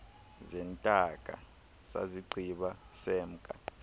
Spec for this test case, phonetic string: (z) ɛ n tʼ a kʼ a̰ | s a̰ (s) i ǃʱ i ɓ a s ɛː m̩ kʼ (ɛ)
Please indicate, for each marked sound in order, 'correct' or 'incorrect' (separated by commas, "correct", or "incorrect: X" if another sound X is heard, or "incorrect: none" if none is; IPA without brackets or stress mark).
correct, incorrect: z, incorrect: a